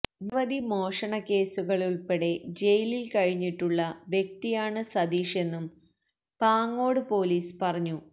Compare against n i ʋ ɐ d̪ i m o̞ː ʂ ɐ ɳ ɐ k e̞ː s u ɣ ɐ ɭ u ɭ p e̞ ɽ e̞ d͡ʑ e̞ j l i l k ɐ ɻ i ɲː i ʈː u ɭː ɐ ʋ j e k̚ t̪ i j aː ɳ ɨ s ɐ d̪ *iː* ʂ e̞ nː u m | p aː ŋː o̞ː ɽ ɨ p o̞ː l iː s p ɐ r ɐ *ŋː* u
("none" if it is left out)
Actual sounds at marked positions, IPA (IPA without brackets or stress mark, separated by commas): iː, ɲː